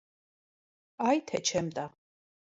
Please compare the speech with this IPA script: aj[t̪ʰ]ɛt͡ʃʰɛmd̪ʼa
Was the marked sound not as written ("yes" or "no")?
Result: no